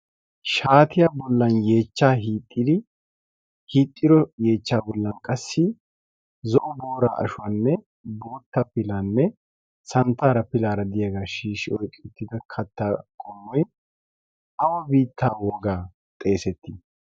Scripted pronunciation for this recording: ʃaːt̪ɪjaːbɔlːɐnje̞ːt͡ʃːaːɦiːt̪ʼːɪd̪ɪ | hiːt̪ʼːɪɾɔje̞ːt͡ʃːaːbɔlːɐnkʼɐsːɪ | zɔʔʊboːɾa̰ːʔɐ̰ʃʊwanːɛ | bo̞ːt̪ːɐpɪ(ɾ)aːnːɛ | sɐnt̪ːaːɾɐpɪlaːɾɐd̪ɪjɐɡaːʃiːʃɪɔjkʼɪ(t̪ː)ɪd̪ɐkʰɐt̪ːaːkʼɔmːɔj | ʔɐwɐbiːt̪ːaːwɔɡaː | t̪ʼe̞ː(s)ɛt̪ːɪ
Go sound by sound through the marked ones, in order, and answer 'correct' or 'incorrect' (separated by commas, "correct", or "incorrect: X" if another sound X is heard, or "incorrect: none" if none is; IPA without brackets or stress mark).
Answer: incorrect: l, correct, correct